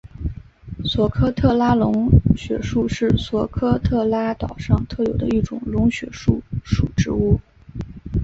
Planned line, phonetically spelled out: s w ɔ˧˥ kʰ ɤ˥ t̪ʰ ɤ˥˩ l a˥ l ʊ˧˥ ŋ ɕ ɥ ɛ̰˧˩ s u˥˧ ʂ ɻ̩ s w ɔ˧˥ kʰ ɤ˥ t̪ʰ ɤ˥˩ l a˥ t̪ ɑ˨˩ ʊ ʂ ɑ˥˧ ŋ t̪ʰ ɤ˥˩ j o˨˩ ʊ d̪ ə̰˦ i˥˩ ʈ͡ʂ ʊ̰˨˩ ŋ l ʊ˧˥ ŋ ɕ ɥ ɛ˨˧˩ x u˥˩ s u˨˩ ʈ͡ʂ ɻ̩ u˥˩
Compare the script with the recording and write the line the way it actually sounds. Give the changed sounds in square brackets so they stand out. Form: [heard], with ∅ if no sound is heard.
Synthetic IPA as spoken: s w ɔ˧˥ kʰ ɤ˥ t̪ʰ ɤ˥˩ l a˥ l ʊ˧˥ ŋ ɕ ɥ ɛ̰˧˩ [ʂ] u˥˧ ʂ ɻ̩ s w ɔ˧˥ kʰ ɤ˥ t̪ʰ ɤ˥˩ l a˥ t̪ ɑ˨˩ ʊ ʂ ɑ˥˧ ŋ t̪ʰ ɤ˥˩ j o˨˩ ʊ d̪ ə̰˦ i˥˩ ʈ͡ʂ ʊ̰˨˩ ŋ l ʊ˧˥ ŋ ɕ ɥ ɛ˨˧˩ [ʂ] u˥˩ [ʂ] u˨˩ ʈ͡ʂ ɻ̩ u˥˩